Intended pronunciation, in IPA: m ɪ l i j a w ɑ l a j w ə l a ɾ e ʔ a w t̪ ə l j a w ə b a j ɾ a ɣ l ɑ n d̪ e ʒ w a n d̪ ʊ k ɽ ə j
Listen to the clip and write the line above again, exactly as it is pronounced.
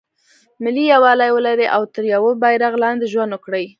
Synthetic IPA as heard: m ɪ l i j a w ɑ l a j w ə l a ɾ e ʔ a w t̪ ə ɾ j a w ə b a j ɾ a ɣ l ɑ n d̪ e ʒ w a n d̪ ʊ k ɽ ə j